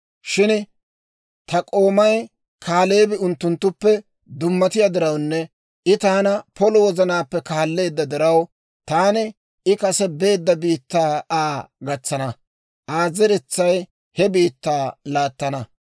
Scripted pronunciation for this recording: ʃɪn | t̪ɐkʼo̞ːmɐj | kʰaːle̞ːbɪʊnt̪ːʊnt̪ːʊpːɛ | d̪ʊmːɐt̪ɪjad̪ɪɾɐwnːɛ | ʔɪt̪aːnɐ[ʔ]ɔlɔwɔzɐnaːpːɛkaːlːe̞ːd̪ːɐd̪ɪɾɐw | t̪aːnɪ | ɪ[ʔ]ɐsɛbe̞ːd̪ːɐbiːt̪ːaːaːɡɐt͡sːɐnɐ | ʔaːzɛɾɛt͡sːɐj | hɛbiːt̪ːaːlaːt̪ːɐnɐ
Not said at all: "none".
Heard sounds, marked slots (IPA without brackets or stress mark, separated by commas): p, k